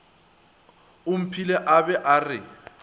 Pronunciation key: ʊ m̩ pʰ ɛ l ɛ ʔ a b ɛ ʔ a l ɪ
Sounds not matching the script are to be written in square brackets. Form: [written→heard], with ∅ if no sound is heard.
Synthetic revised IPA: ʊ m̩ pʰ [ɛ→i] l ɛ ʔ a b ɛ ʔ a [l→r] ɪ